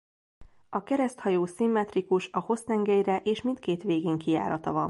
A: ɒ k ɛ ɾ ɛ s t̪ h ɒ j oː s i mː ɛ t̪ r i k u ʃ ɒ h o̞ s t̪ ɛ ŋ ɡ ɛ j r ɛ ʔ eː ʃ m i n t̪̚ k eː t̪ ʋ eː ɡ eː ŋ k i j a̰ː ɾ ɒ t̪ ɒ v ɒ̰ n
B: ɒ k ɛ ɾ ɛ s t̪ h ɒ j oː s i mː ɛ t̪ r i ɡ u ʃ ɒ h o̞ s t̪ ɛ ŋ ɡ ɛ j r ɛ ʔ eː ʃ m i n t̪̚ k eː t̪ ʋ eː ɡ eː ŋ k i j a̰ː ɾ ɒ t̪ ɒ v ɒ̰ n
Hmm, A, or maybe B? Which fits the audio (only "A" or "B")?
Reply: A